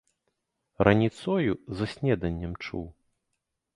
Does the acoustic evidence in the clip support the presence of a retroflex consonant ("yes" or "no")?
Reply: yes